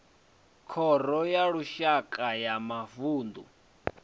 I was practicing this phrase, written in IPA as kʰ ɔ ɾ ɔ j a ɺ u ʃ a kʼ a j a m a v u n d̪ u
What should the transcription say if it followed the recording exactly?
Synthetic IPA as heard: kʰ ɔ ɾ ɔ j a ɺ u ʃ a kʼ a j a m a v uː n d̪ u